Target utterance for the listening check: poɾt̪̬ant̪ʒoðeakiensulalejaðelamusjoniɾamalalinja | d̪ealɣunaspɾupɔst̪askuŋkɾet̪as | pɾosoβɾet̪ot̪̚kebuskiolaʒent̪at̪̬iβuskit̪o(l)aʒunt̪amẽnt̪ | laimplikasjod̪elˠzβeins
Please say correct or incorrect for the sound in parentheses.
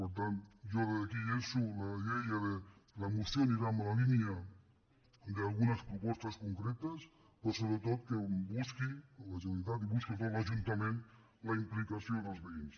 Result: correct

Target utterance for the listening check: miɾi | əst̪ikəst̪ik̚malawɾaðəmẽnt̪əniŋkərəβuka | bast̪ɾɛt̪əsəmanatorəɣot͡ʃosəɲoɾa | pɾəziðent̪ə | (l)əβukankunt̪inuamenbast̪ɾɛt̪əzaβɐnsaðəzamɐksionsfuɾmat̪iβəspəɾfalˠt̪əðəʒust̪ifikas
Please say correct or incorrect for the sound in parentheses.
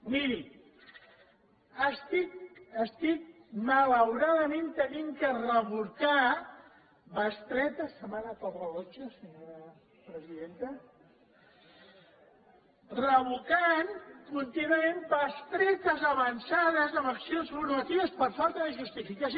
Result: incorrect: r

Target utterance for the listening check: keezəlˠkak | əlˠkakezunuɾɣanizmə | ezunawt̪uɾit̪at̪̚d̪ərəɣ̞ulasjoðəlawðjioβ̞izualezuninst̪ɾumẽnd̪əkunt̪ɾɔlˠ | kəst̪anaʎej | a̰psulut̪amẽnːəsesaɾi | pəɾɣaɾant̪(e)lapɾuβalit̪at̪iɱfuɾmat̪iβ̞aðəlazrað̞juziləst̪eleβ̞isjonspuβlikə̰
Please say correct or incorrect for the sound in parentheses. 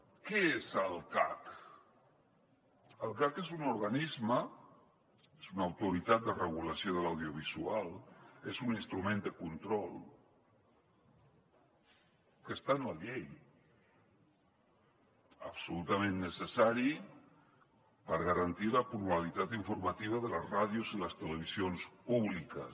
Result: incorrect: i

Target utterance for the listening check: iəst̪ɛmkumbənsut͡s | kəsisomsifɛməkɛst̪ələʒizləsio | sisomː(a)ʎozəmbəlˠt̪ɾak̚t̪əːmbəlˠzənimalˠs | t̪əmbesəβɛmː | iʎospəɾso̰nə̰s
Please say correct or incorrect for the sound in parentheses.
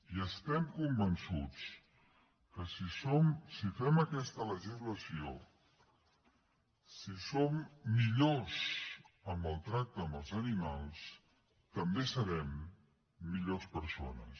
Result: incorrect: i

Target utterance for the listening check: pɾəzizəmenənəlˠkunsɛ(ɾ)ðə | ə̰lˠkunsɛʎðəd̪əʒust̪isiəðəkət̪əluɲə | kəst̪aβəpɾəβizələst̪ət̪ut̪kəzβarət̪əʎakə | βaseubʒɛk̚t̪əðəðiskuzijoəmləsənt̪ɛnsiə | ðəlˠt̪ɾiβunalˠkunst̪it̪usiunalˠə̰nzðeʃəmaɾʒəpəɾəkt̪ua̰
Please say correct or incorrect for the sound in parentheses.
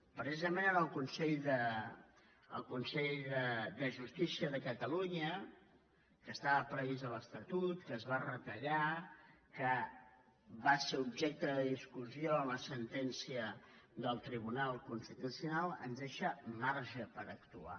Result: incorrect: ʎ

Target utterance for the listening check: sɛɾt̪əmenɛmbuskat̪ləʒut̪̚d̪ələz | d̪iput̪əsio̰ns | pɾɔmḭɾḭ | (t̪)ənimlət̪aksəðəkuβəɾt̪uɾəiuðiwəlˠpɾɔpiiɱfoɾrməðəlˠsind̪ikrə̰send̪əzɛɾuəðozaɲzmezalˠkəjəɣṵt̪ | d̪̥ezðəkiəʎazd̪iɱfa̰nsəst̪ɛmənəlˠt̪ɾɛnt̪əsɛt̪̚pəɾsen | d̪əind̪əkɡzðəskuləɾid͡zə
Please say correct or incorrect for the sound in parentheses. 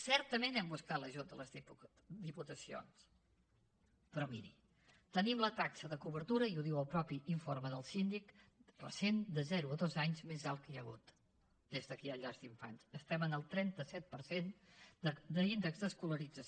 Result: correct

